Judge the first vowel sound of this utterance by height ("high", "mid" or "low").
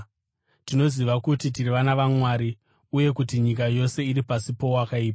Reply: high